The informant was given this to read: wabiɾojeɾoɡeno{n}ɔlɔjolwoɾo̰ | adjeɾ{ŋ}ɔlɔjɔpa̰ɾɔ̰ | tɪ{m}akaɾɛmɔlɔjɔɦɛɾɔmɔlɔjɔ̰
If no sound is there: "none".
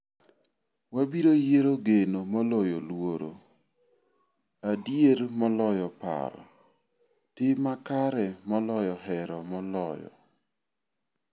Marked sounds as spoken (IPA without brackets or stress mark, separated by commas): m, m, m